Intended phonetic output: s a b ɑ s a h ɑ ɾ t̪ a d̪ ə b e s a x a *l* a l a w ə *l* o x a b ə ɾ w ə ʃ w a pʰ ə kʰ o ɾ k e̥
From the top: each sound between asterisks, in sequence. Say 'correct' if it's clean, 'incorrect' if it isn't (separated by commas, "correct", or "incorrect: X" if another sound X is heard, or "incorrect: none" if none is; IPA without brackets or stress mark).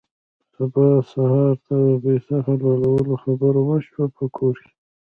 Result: correct, correct